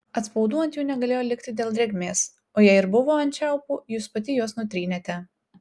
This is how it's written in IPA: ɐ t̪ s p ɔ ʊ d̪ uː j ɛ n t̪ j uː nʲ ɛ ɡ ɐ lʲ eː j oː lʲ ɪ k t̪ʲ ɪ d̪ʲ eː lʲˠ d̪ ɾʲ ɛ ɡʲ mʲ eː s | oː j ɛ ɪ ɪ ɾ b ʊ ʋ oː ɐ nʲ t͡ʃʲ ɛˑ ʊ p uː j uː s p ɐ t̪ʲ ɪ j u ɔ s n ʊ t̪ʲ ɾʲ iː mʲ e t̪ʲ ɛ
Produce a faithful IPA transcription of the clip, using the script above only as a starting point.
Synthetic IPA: ɐ t̪ s p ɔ ʊ d̪ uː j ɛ n t̪ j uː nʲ ɛ ɡ ɐ lʲ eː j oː lʲ ɪ k t̪ʲ ɪ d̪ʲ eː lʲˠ d̪ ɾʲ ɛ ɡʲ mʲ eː s | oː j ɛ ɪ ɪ ɾ b ʊ ʋ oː ɐ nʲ t͡ʃʲ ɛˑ ʊ p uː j uː s p ɐ t̪ʲ ɪ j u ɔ s n ʊ t̪ʲ ɾʲ iː nʲ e t̪ʲ ɛ